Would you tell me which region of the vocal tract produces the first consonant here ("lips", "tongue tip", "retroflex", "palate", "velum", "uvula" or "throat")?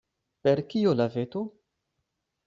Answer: lips